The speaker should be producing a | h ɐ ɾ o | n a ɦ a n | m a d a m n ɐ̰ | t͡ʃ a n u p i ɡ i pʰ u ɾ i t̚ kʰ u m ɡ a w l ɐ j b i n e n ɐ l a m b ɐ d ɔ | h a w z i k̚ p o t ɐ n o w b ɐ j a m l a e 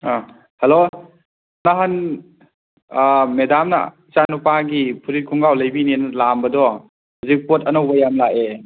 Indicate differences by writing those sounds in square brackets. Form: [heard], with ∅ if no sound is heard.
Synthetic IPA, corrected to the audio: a | h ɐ [l] o | n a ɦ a n | m [e] d a m n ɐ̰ | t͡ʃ a n u p [a] ɡ i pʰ u ɾ i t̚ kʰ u [ŋ] ɡ a w l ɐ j b i n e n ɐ l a m b ɐ d ɔ | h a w z i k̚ p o t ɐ n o w b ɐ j a m l a e

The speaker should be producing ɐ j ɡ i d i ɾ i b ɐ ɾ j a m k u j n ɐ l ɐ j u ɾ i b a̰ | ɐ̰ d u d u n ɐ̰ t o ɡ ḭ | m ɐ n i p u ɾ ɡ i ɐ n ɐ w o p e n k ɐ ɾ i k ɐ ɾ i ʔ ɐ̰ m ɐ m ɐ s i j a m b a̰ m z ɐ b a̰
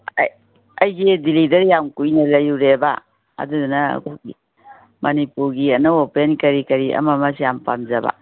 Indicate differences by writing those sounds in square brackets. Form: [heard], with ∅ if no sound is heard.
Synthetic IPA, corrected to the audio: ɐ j ɡ i d i [l] i [d] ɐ ɾ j a m k u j n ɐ l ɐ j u ɾ [e] b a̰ | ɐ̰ d u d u n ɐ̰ [k] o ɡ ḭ | m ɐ n i p u ɾ ɡ i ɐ n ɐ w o p e n k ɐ ɾ i k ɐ ɾ i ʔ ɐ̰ m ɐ m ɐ s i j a m [p] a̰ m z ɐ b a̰

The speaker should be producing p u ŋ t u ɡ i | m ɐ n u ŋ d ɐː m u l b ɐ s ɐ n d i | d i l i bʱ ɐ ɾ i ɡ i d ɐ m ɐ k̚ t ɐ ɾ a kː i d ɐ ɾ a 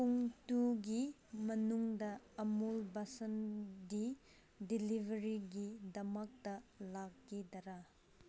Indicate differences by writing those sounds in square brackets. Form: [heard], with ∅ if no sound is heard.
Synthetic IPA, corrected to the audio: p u ŋ t u ɡ i | m ɐ n u ŋ d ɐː m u l b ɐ s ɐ n d i | d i l i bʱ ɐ ɾ i ɡ i d ɐ m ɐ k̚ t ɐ [l] a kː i d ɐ ɾ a

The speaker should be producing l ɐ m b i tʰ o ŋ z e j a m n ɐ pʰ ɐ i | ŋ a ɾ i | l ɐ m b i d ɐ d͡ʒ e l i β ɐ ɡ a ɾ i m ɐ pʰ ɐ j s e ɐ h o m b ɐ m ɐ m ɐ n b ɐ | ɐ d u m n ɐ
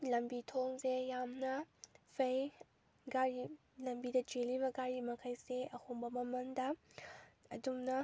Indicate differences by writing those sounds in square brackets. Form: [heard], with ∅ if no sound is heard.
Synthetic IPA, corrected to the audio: l ɐ m b i tʰ o ŋ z e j a m n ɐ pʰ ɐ [j] | [ɡ] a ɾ i | l ɐ m b i d ɐ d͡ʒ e l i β ɐ ɡ a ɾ i m ɐ [kʰ] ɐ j s e ɐ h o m b ɐ m ɐ m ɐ n [d] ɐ | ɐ d u m n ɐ

